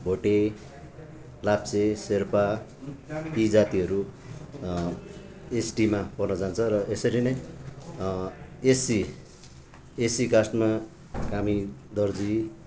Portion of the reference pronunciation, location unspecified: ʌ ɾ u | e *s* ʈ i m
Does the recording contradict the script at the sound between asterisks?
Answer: no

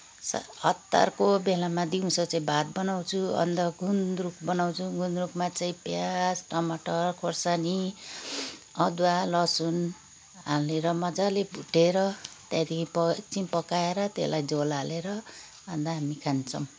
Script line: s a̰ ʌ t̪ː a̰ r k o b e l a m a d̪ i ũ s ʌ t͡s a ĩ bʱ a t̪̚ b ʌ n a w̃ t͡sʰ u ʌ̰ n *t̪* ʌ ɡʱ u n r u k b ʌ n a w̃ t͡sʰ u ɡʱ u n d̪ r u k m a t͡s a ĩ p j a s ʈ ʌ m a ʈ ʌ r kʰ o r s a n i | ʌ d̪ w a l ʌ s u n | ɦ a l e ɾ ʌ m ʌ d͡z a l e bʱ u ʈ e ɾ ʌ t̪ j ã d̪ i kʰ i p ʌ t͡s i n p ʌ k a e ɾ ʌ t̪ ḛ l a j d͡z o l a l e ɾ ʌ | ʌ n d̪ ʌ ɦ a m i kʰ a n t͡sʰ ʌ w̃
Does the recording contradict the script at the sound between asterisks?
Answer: yes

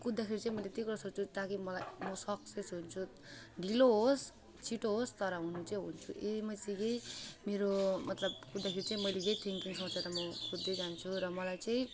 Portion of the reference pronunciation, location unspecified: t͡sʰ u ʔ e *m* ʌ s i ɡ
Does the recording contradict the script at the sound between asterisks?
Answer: no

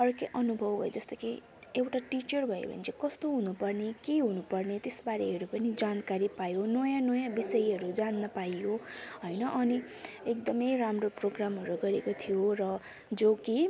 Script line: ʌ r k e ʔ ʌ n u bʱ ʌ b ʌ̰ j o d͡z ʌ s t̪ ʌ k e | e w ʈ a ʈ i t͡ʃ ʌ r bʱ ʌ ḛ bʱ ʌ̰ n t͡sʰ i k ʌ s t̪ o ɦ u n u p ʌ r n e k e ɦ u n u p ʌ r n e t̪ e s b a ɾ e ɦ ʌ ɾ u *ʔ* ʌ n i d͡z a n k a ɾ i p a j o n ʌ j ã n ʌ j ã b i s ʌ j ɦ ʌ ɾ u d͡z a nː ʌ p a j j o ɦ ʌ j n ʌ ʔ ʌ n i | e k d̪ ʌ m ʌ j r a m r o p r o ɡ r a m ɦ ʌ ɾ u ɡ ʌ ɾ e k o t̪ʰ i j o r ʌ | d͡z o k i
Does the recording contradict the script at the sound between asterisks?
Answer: yes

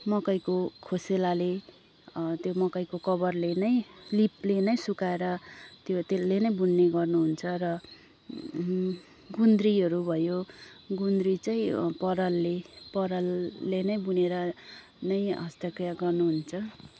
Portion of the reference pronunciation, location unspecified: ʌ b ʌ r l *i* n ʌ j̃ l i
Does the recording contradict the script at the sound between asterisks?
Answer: yes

